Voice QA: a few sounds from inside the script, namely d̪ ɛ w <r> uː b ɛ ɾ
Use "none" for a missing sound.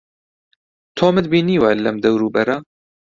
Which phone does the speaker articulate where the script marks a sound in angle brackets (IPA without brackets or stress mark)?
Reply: ɾ